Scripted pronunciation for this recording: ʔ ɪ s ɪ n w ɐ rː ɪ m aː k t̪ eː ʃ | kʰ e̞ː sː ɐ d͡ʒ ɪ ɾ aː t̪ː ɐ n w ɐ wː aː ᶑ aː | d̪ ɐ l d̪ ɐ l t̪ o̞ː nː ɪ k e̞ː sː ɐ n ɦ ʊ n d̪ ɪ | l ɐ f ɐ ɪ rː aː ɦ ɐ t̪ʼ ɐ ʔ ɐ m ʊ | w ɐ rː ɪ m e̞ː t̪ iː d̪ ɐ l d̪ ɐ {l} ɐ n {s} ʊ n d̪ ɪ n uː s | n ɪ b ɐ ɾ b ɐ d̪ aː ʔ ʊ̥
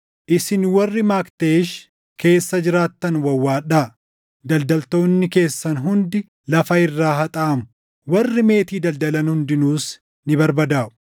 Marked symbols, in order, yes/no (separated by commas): yes, no